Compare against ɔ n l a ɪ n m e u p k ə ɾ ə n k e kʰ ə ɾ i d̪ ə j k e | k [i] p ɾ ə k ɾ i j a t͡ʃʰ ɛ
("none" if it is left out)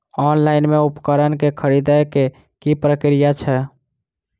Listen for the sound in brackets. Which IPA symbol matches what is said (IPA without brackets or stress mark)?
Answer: i